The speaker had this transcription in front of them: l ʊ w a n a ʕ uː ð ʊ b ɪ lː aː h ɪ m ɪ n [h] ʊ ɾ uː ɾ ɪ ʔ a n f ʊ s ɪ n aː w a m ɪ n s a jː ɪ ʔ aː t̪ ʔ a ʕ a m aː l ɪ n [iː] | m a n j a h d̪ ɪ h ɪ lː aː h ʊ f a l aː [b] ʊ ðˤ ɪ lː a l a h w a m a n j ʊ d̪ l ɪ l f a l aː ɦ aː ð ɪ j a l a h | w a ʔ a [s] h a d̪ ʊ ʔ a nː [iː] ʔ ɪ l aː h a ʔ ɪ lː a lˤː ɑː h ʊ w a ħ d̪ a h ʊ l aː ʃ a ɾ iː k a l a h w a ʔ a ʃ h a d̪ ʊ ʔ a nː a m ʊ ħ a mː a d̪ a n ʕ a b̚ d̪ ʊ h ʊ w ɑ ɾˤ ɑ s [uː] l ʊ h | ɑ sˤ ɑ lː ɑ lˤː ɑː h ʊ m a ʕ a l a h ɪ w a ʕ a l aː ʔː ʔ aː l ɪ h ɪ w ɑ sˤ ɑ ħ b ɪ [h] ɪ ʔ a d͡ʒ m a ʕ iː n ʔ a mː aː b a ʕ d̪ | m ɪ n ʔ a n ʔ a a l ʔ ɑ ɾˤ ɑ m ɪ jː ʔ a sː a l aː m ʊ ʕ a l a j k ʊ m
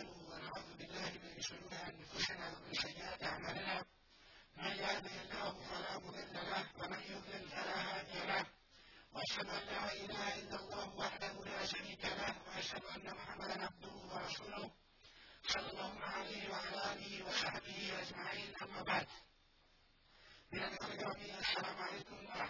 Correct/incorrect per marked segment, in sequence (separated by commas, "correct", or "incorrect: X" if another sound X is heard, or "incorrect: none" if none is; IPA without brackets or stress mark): incorrect: ʃ, incorrect: aː, incorrect: m, incorrect: ʃ, incorrect: aː, correct, correct